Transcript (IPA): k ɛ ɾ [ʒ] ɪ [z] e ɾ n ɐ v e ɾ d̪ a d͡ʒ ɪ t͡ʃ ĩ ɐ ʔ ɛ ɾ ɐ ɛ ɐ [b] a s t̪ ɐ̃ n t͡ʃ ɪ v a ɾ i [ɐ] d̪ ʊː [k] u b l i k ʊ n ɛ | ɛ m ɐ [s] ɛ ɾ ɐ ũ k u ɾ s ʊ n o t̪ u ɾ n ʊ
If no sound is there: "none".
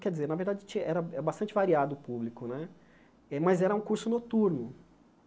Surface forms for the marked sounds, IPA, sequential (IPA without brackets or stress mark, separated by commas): d͡ʒ, z, b, a, p, z